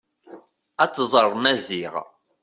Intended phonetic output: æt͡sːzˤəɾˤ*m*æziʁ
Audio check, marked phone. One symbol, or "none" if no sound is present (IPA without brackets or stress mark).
m